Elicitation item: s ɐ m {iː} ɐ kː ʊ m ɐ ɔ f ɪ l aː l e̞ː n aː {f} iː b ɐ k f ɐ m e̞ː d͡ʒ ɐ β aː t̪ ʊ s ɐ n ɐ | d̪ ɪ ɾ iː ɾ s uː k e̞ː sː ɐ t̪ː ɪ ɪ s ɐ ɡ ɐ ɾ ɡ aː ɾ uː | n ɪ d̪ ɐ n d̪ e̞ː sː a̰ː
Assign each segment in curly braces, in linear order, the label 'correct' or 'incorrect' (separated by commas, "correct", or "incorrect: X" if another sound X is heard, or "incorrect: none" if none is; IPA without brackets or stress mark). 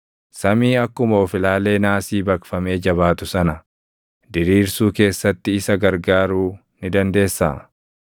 correct, incorrect: s